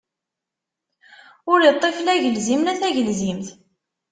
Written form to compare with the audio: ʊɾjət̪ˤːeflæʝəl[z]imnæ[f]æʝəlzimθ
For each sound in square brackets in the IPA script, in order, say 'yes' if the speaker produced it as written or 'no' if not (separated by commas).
yes, no